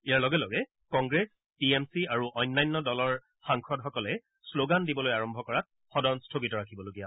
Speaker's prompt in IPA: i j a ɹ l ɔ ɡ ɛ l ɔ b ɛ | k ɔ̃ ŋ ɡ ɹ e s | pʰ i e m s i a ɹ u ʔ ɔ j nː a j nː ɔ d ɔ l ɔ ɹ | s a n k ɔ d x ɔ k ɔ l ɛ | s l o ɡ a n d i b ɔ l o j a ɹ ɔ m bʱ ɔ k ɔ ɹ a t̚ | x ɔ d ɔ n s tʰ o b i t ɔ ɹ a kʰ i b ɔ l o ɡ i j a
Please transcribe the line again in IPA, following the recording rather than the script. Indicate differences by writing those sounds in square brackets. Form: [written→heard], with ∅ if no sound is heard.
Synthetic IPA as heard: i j a ɹ l ɔ ɡ ɛ l ɔ [b→ɡ] ɛ | k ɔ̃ ŋ ɡ ɹ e s | [pʰ→p] i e m s i a ɹ u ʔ ɔ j nː a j nː ɔ d ɔ l ɔ ɹ | [s→x] a [n→ŋ] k ɔ d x ɔ k ɔ l ɛ | s l o ɡ a n d i b ɔ l o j a ɹ ɔ m bʱ ɔ k ɔ ɹ a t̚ | x ɔ d ɔ n s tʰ o [b→ɡ] i t ɔ ɹ a kʰ i b ɔ l o ɡ i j a

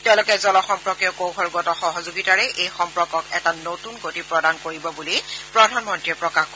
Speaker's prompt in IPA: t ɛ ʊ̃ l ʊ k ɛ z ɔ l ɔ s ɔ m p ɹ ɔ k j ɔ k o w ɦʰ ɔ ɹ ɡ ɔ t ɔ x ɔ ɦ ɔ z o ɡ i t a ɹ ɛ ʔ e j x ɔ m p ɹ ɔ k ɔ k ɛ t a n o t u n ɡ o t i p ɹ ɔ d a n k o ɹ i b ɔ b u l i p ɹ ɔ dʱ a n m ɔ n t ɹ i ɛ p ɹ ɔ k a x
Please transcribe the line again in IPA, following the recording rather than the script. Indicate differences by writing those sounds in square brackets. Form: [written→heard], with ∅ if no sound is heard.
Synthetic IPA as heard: t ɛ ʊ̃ l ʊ k ɛ z ɔ l ɔ [s→x] ɔ m p ɹ ɔ k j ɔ k o w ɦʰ ɔ ɹ ɡ ɔ t ɔ x ɔ ɦ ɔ z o ɡ i t a ɹ ɛ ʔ e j x ɔ m p ɹ ɔ k ɔ k ɛ t a n o t u n ɡ o t i p ɹ ɔ d a n k o ɹ i b ɔ b u l i p ɹ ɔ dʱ a n m ɔ n t ɹ i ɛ p ɹ ɔ k a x

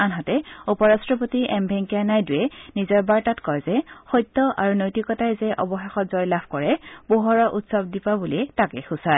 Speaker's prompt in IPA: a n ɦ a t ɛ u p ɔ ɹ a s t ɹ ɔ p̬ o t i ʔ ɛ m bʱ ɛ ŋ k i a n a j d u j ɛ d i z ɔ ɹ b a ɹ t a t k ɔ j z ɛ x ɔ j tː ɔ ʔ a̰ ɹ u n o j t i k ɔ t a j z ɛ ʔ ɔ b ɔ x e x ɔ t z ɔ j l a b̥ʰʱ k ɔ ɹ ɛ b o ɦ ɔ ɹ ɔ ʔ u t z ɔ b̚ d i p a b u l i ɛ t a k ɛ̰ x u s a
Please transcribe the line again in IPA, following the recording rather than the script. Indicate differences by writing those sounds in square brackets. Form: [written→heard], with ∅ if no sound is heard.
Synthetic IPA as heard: a n ɦ a t ɛ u p ɔ ɹ a s t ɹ ɔ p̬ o t i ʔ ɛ m bʱ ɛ ŋ k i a n a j d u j ɛ [d→n] i z ɔ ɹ b a ɹ t a t k ɔ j z ɛ x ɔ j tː ɔ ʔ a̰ ɹ u n o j t i k ɔ t a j z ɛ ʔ ɔ b ɔ x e x ɔ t z ɔ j l a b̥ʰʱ k ɔ ɹ ɛ b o ɦ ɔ ɹ ɔ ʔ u t [z→s] ɔ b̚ d i p a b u l i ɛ t a k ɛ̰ x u s a

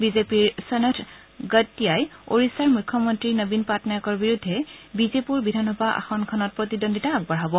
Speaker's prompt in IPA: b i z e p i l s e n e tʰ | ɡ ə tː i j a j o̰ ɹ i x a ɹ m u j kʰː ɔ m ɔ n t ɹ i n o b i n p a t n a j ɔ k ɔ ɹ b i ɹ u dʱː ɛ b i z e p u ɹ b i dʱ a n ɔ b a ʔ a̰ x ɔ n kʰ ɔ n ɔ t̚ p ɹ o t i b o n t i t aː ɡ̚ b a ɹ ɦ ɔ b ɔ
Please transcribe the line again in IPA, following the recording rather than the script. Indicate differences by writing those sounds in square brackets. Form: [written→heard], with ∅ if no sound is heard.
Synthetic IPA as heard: b i z e p i [l→ɹ] s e n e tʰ | ɡ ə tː i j a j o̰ ɹ i [x→s] a ɹ m u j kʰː ɔ m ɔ n t ɹ i n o b i n p a t n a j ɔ k ɔ ɹ b i ɹ u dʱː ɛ b i z e p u ɹ b i dʱ a n ɔ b a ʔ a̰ x ɔ n kʰ ɔ n ɔ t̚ p ɹ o t i [b→d] o n [t→d] i t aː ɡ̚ b a ɹ ɦ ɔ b ɔ

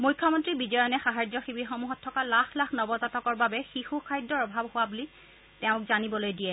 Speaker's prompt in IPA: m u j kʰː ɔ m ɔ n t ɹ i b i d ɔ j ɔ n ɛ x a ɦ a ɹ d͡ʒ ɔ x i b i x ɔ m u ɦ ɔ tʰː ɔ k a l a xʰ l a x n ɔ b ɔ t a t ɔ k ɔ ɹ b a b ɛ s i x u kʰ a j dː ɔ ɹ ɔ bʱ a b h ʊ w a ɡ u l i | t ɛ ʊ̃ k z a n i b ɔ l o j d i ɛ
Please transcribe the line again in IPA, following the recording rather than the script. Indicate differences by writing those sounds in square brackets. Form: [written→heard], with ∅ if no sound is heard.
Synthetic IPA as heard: m u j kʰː ɔ m ɔ n t ɹ i b i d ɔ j ɔ n ɛ x a ɦ a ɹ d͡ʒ ɔ x i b i x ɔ m u ɦ ɔ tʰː ɔ k a l a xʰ l a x n ɔ b ɔ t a t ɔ k ɔ ɹ b a b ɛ [s→x] i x u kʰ a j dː ɔ ɹ ɔ bʱ a b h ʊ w a [ɡ→b] u l i | t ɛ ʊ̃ k z a n i b ɔ l o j d i ɛ

